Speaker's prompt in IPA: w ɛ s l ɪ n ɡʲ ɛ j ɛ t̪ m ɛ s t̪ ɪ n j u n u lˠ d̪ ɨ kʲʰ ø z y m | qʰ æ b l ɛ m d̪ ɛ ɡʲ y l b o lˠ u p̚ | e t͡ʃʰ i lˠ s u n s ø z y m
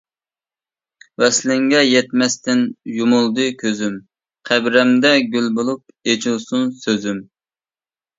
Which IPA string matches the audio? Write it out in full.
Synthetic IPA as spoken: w ɛ s l ɪ ŋ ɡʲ ɛ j ɛ t̪ m ɛ s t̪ ɪ n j u m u lˠ d̪ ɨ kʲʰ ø z y m | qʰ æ b ɾ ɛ m d̪ ɛ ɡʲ y l b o lˠ u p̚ | e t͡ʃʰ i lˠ s u n s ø z y m